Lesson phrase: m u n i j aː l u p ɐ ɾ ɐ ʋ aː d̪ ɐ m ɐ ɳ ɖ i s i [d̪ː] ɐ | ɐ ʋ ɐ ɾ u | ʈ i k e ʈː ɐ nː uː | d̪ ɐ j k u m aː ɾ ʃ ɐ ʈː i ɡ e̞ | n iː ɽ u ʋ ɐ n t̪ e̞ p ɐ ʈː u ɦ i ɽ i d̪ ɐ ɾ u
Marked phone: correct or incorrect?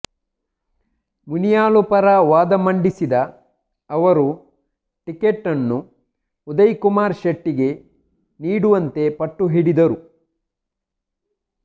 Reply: incorrect